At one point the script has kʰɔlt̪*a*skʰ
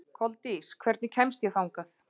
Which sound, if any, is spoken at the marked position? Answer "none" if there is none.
i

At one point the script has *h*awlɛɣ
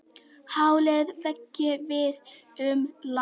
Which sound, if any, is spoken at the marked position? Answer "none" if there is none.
h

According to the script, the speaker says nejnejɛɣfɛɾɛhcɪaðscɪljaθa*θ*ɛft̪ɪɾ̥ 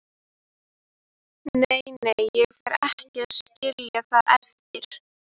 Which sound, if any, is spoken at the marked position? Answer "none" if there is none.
ð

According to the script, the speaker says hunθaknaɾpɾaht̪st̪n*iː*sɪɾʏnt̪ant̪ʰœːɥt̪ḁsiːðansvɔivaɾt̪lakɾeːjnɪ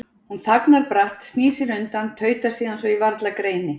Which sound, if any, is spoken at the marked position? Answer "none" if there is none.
iː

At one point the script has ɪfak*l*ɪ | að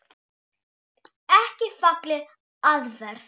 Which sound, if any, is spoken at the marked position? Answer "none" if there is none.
l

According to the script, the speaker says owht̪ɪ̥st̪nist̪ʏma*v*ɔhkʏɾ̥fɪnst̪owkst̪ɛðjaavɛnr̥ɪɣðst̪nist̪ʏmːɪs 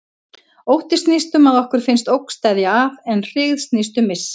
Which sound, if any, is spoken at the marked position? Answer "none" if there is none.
ð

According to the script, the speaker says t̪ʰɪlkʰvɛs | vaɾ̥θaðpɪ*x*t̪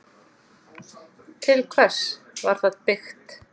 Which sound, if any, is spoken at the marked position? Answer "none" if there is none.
x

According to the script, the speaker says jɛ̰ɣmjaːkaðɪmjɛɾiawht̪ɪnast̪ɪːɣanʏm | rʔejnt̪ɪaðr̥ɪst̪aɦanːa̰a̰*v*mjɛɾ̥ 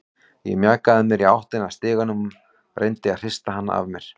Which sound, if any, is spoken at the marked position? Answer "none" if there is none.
v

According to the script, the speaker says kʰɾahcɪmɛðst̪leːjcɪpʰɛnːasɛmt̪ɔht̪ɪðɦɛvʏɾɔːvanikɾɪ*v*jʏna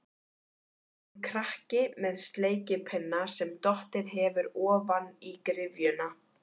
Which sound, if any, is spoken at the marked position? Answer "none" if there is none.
v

